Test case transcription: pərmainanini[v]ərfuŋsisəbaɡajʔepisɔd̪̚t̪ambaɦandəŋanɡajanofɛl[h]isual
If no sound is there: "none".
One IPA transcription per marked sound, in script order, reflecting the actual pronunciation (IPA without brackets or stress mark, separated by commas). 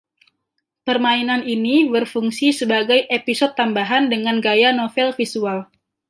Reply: b, f